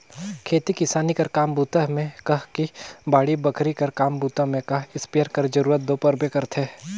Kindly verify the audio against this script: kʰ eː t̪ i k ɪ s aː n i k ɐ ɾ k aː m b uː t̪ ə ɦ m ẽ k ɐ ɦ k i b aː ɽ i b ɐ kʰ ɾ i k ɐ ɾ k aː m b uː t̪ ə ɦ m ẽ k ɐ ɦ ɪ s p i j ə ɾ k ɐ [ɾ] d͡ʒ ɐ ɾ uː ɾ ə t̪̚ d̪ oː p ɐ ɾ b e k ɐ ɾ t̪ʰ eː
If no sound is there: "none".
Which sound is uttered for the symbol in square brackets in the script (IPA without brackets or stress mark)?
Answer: ɾ